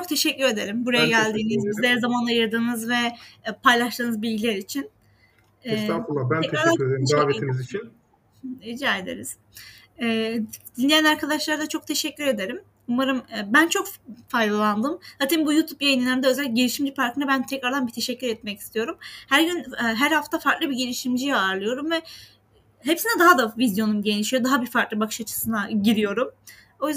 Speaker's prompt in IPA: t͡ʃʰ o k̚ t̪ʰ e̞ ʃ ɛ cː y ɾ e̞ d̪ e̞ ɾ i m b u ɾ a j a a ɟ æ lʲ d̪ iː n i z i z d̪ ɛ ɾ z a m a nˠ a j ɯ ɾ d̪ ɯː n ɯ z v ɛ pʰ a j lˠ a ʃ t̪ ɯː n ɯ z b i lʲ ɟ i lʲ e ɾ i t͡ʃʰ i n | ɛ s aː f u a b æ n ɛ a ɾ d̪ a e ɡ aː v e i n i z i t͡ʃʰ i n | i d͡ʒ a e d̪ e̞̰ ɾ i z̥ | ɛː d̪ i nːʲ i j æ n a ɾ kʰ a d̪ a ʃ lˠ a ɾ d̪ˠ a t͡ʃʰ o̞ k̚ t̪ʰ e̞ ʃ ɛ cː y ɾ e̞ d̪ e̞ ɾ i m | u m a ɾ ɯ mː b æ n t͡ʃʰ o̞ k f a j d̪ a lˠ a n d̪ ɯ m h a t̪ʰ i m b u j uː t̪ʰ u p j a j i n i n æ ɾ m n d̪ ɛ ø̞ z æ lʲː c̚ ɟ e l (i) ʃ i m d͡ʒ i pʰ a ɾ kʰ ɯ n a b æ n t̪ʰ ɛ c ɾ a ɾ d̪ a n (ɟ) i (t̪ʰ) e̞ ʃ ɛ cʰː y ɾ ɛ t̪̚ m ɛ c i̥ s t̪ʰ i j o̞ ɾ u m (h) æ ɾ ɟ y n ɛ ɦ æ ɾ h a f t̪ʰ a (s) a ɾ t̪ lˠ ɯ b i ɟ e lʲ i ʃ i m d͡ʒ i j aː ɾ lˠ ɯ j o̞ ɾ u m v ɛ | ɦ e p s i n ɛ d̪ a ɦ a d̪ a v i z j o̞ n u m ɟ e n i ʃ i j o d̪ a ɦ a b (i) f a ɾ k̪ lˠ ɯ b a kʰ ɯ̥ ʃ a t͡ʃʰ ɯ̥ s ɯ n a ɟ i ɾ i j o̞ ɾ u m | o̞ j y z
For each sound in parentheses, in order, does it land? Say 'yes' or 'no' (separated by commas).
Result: yes, no, yes, yes, no, yes